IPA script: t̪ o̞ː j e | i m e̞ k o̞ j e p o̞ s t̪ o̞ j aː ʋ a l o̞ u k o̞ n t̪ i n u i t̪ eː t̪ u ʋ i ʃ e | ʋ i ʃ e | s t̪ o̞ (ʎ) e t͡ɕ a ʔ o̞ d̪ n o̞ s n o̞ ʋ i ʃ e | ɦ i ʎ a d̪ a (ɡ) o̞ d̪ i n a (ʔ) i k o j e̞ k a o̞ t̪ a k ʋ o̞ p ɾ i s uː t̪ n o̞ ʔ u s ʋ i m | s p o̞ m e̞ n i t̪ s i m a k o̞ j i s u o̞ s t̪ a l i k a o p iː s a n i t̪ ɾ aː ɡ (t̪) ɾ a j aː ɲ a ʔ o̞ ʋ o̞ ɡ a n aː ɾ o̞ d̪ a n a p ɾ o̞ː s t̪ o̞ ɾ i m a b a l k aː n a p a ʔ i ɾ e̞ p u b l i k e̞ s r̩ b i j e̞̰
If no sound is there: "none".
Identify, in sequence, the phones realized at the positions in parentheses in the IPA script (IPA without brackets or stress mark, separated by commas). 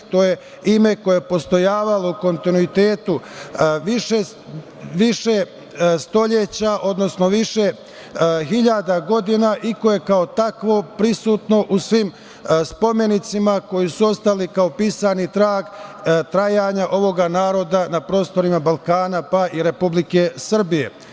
ʎ, ɡ, ʔ, t̪